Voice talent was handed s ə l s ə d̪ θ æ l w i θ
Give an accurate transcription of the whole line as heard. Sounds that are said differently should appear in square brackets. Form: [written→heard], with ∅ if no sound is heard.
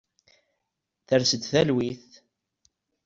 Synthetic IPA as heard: [s→θ] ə [l→ɾ] s ə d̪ θ æ l w i θ